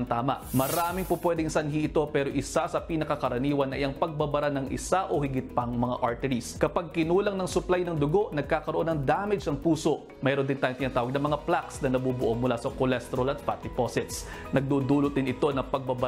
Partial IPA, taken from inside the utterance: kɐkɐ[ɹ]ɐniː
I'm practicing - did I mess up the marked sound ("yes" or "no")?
yes